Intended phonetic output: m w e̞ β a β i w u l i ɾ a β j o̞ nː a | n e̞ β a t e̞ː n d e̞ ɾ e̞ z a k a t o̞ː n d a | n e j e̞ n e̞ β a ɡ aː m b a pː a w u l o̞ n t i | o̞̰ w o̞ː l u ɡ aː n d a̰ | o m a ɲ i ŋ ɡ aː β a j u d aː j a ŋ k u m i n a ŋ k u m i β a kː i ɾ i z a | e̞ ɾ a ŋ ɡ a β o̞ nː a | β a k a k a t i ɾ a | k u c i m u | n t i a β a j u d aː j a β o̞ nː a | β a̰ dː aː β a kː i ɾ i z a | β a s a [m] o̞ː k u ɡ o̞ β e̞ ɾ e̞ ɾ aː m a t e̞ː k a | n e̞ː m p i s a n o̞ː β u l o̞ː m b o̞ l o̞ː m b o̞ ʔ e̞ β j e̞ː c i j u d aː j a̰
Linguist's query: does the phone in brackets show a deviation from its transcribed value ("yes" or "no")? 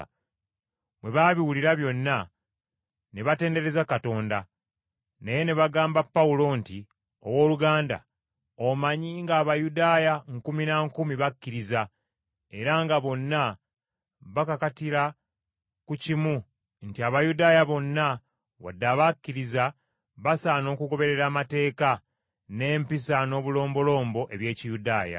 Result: yes